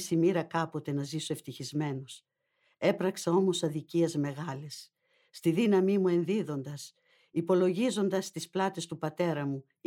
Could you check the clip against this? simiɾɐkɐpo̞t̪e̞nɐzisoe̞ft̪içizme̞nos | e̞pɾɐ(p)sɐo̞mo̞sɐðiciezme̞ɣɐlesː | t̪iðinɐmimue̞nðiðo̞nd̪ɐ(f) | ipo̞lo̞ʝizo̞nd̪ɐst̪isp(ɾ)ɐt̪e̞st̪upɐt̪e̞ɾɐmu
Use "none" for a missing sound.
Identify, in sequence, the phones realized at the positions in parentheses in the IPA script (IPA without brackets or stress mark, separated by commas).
k, s, l